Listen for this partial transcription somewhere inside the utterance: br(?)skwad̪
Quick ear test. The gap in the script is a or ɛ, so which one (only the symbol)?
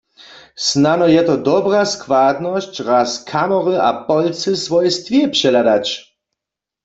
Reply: a